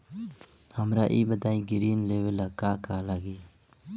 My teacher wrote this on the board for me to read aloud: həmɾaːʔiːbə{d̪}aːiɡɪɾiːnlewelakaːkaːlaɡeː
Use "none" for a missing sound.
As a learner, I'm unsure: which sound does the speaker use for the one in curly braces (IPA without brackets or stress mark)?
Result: d̪